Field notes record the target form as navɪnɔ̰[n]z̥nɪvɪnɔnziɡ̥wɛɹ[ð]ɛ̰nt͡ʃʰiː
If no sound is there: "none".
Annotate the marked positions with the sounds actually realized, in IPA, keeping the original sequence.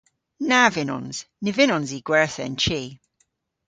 n, θ

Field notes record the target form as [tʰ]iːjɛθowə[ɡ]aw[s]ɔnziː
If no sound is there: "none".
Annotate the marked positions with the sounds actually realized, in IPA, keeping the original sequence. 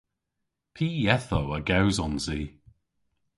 pʰ, ɡ, z

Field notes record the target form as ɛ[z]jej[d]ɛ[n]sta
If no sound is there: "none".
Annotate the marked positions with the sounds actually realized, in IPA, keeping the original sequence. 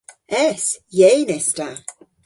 s, n, none

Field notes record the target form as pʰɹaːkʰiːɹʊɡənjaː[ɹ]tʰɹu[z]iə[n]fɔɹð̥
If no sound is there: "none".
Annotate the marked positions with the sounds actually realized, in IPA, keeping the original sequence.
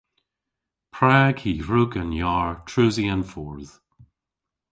ɹ, z, n

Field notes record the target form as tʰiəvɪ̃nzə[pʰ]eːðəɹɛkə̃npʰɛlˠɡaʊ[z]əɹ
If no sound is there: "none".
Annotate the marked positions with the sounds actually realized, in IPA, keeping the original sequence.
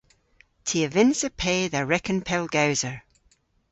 pʰ, z

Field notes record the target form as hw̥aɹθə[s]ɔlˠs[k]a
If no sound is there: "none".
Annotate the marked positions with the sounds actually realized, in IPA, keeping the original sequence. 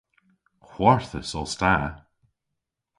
s, t

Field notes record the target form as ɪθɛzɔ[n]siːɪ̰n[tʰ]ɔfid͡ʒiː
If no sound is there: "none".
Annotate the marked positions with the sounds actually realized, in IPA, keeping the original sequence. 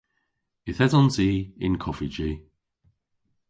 n, kʰ

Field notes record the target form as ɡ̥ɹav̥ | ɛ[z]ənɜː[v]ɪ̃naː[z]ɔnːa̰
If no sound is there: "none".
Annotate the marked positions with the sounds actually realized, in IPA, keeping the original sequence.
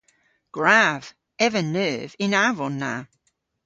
v, v, v

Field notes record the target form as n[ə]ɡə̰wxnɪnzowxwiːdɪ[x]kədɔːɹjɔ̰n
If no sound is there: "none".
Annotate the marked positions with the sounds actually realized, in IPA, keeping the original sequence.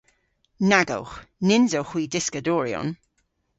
a, s

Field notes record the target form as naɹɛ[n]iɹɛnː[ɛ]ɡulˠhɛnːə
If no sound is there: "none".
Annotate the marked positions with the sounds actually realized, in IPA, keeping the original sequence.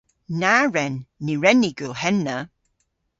nː, i

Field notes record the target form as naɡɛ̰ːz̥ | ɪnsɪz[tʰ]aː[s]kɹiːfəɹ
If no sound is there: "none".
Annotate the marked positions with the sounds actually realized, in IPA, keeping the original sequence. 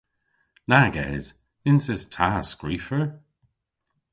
tʰ, s

